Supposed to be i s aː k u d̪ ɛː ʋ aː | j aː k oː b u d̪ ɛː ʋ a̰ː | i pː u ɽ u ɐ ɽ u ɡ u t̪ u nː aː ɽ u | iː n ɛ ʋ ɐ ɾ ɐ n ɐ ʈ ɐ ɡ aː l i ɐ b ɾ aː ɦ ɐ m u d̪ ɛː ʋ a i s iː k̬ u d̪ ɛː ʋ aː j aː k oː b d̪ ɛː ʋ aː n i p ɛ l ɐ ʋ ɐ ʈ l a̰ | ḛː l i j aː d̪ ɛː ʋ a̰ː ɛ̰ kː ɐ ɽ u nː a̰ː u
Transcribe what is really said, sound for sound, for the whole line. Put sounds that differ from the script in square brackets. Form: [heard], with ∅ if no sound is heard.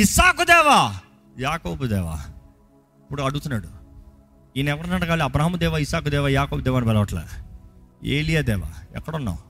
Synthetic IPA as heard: i s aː k u d̪ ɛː ʋ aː | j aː k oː b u d̪ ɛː ʋ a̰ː | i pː u ɽ u ɐ ɽ u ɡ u t̪ u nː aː ɽ u | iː n ɛ ʋ ɐ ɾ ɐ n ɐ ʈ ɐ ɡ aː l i ɐ b ɾ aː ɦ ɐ m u d̪ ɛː ʋ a i s [aː] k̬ u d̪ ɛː ʋ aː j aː k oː b d̪ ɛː ʋ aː n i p ɛ l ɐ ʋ ɐ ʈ l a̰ | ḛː l i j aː d̪ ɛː ʋ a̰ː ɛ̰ kː ɐ ɽ u nː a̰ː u